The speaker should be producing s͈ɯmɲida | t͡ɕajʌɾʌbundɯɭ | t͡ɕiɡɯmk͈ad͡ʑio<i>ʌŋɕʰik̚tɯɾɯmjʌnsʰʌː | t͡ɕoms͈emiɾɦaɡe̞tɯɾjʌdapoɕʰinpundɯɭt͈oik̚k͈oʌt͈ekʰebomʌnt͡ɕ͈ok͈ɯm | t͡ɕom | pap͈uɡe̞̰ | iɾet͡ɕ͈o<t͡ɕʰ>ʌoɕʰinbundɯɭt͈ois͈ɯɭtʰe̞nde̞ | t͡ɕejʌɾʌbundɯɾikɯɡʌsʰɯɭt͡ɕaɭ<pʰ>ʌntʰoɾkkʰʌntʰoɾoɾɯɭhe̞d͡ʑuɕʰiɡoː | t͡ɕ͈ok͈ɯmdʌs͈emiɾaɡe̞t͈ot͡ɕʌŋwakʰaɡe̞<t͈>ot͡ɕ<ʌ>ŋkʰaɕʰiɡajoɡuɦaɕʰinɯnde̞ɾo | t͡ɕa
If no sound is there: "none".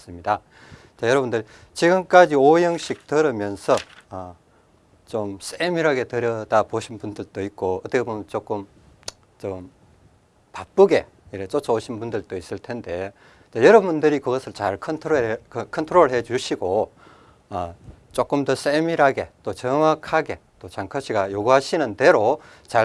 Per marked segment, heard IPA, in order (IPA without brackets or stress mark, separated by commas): j, t͡ɕʰ, kʰ, t͈, a